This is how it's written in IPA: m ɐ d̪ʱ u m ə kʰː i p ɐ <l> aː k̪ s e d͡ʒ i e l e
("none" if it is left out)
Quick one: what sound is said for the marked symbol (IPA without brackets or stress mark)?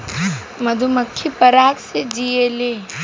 ɾ